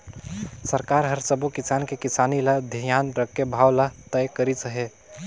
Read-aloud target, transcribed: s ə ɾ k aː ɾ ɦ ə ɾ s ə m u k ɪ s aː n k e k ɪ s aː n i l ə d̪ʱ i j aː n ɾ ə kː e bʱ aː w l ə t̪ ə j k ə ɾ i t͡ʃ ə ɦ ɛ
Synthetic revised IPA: s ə ɾ k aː ɾ ɦ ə ɾ s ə b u k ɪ s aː n k e k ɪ s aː n i l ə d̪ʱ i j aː n ɾ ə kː e bʱ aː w l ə t̪ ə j k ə ɾ i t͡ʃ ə ɦ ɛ